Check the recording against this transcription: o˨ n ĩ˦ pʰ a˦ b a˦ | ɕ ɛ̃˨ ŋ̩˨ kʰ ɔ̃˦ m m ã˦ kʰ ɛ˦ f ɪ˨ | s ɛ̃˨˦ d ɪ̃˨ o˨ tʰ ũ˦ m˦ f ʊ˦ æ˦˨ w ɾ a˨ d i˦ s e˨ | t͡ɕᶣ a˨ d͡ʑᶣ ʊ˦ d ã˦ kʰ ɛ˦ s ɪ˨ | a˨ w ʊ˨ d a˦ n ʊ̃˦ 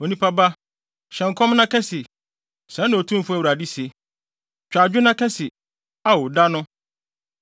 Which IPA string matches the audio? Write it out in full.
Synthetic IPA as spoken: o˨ n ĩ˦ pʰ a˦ b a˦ | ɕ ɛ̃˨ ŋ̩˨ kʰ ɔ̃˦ m n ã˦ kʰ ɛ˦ s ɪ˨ | s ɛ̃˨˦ n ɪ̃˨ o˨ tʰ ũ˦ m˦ f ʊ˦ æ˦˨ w ɾ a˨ d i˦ s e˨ | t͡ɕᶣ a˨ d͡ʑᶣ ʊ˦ n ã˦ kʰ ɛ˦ s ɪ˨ | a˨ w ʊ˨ d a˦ n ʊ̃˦

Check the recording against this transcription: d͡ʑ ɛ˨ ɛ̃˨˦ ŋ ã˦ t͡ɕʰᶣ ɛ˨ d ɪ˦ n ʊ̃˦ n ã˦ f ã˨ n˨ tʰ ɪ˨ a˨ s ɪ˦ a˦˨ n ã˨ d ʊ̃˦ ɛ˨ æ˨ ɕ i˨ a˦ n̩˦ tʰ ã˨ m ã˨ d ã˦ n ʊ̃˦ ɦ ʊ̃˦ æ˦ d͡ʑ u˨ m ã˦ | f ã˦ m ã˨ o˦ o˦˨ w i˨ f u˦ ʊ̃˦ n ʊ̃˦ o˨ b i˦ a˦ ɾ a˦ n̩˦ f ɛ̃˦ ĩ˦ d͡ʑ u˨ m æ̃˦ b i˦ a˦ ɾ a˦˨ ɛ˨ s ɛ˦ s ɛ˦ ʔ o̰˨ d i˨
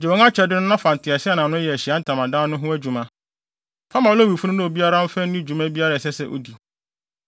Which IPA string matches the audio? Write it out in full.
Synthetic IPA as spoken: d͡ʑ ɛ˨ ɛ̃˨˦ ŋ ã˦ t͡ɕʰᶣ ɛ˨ d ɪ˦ n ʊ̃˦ n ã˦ f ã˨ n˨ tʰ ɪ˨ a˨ s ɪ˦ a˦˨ n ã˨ n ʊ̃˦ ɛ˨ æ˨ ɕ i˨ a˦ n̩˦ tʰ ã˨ m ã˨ d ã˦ n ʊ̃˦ ɦ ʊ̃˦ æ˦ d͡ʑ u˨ m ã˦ | f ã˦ m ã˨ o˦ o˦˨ w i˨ f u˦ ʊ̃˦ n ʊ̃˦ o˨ b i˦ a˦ ɾ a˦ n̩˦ f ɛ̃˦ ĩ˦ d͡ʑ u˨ m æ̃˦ b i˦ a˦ ɾ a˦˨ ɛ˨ s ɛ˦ s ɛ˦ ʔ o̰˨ d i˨

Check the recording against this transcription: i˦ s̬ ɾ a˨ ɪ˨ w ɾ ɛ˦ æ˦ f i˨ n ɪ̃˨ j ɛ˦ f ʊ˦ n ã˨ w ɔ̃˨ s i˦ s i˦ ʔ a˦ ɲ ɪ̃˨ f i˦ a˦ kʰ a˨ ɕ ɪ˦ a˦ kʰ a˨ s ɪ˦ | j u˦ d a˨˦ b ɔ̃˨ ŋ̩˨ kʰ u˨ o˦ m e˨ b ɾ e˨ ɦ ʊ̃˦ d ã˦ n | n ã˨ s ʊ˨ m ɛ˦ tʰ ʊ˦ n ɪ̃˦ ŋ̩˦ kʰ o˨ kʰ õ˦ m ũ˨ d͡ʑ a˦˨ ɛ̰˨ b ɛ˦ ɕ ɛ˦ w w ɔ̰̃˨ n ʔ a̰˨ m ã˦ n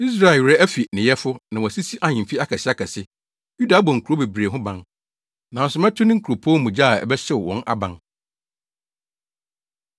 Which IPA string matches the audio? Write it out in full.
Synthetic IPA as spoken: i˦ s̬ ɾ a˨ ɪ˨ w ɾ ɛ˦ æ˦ f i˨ n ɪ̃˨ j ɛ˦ f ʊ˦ n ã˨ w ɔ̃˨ s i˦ s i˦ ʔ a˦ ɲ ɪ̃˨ f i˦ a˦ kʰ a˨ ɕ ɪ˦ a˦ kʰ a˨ s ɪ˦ | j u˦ d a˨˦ b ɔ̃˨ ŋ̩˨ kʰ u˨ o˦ b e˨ b ɾ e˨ ɦ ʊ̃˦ b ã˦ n | n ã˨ s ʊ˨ m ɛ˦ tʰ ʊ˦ n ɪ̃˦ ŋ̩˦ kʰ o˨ pʰ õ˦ m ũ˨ d͡ʑ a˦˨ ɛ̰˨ b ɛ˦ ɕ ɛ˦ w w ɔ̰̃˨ n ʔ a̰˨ b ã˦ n

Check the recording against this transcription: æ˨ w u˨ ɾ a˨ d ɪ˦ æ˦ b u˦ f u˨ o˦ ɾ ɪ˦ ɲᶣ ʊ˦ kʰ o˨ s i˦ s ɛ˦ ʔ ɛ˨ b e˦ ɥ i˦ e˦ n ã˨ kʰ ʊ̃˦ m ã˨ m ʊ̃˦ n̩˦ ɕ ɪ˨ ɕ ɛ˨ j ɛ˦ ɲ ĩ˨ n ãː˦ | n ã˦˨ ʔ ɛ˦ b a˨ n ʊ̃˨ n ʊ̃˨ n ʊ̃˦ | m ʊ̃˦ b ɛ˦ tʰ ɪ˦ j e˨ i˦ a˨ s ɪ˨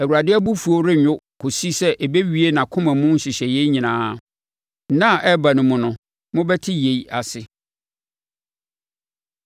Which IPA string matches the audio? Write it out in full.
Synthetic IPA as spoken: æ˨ w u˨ ɾ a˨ d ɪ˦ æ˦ b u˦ f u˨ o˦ ɾ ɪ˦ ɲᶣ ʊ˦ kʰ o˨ s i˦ s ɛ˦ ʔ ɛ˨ b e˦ ɥ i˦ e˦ n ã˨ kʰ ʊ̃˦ m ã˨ m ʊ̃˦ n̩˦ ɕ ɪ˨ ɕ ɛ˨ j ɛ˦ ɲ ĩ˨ n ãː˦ | n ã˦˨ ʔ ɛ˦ b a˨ n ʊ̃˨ m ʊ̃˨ n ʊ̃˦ | m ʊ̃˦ b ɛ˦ tʰ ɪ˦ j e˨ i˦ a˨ s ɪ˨

